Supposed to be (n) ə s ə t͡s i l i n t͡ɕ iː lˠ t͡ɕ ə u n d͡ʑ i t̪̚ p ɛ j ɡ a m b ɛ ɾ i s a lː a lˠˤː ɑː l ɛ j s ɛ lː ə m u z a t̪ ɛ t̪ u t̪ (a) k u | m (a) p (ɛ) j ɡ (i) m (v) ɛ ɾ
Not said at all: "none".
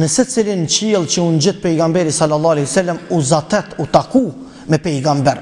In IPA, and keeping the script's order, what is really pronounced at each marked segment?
n, a, ɛ, ɛ, a, b

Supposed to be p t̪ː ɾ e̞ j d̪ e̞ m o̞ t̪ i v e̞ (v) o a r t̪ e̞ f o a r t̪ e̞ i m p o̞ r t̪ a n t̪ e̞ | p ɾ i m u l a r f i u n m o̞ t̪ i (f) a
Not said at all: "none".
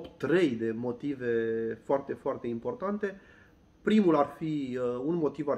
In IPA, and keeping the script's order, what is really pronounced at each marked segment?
f, v

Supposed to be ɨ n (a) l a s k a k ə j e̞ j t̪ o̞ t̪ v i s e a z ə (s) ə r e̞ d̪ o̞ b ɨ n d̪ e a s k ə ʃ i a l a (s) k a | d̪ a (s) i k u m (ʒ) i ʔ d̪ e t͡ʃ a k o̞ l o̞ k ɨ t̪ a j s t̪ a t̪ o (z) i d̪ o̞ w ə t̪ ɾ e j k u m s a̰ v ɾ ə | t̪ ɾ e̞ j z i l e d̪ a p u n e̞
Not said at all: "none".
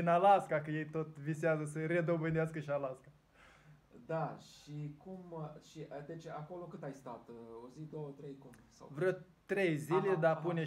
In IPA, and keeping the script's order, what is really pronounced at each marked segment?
a, s, s, ʃ, ʃ, z

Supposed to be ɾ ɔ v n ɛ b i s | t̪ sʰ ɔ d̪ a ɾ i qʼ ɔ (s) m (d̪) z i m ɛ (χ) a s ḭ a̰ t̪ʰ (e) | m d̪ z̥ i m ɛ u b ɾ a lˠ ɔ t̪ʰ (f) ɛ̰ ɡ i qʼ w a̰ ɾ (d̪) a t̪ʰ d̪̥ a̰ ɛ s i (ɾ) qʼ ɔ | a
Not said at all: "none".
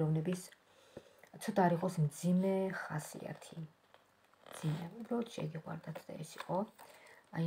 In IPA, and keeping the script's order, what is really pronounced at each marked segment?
s, d̪, χ, i, ʃ, d̪, none

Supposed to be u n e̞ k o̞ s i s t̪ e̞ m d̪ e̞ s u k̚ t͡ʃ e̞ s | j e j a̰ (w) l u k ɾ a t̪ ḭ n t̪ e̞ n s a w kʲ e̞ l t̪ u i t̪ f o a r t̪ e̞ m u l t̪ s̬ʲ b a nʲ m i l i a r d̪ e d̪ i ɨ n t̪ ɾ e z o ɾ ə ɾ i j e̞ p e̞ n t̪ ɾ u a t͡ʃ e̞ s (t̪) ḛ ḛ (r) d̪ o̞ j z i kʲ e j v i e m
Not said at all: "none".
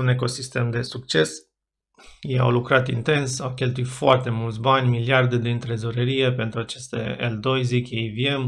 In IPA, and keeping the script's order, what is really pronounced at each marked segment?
w, t̪, l

